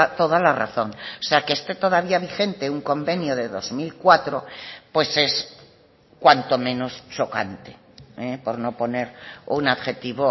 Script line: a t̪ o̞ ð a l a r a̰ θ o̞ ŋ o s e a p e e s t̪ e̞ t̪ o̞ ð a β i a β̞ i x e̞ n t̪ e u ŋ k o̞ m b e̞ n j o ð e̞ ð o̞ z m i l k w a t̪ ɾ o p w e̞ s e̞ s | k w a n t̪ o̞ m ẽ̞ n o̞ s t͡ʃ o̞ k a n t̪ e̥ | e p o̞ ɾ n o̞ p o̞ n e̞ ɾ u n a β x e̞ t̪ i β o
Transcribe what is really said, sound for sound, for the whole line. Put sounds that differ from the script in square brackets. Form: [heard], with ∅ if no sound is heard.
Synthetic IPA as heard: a t̪ o̞ ð a l a r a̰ θ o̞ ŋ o s e a [k] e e s t̪ e̞ t̪ o̞ ð a β i a β̞ i x e̞ n t̪ e u ŋ k o̞ m b e̞ n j o ð e̞ ð o̞ z m i l k w a t̪ ɾ o p w e̞ s e̞ s | k w a n t̪ o̞ m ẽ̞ n o̞ s t͡ʃ o̞ k a n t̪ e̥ | e p o̞ ɾ n o̞ p o̞ n e̞ ɾ u n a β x e̞ t̪ i β o